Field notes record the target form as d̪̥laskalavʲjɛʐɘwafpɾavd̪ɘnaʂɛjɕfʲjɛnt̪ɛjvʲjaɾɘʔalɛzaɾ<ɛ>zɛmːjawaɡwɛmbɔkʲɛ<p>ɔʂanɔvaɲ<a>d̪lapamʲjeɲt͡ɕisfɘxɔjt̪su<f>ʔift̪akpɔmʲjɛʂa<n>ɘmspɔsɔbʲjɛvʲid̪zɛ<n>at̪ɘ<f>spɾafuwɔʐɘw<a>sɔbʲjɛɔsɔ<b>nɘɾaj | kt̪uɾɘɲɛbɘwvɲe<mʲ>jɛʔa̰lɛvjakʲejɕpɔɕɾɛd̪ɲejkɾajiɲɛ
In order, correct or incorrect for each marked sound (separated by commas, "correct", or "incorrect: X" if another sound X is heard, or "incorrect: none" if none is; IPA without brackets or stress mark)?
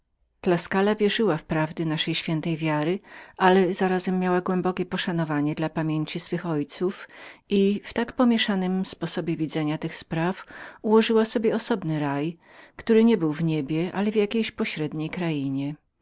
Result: incorrect: a, correct, incorrect: ɛ, correct, correct, incorrect: ɲ, incorrect: x, correct, correct, incorrect: bʲ